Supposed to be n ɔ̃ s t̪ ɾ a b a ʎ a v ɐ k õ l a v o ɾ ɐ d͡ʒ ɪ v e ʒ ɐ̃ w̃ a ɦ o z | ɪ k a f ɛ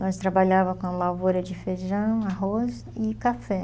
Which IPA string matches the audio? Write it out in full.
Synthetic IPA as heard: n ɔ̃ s t̪ ɾ a b a ʎ a v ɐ k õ l a v o ɾ ɐ d͡ʒ ɪ f e ʒ ɐ̃ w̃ a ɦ o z | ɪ k a f ɛ

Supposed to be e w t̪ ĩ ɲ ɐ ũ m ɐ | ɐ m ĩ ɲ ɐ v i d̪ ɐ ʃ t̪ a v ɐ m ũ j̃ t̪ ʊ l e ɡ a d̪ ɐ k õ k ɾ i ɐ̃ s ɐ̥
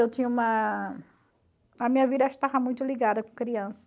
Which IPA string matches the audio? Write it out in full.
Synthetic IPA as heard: e w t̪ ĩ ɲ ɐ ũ m ɐ | ɐ m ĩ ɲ ɐ v i d̪ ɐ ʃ t̪ a v ɐ m ũ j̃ t̪ ʊ l i ɡ a d̪ ɐ k õ k ɾ i ɐ̃ s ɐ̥

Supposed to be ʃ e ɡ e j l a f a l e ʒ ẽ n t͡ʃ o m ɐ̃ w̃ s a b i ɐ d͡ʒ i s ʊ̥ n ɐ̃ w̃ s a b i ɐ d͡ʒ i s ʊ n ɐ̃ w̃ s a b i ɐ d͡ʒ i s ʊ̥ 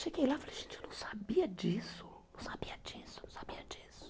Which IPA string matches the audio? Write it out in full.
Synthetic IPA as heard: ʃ e ɡ e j l a f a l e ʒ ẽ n t͡ʃ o n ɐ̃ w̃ s a b i ɐ d͡ʒ i s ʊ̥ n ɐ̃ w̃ s a b i ɐ d͡ʒ i s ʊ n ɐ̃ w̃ s a b i ɐ d͡ʒ i s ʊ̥

